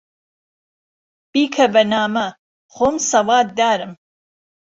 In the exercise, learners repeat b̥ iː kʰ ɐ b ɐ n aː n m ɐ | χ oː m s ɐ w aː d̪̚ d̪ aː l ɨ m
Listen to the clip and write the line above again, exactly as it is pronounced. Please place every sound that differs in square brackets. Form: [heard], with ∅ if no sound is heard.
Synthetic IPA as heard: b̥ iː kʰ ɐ b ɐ n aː [∅] m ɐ | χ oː m s ɐ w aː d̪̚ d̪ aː [ɾ] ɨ m